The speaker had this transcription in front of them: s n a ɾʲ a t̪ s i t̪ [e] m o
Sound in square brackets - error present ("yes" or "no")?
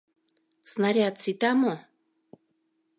yes